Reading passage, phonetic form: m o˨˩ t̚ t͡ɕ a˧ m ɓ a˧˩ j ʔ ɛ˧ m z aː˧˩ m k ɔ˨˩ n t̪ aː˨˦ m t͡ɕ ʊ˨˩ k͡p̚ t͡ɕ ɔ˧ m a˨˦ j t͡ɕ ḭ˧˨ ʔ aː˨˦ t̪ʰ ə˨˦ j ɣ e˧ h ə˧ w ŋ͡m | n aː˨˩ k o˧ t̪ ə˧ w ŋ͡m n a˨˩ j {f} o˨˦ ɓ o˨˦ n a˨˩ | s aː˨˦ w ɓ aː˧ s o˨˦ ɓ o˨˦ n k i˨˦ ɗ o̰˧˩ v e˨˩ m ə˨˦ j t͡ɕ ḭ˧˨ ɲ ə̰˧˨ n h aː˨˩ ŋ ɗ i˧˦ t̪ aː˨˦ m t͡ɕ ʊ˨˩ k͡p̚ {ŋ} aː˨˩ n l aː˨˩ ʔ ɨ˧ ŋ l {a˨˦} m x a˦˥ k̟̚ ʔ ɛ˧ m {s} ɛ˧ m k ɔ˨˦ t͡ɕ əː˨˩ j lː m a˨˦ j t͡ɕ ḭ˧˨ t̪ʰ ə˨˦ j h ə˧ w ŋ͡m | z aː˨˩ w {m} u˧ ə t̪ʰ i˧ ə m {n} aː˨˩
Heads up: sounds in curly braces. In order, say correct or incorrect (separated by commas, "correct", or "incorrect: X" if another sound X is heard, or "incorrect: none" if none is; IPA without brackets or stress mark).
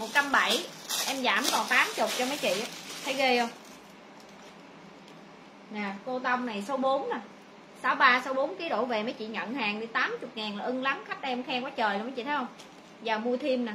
incorrect: s, correct, correct, incorrect: x, correct, correct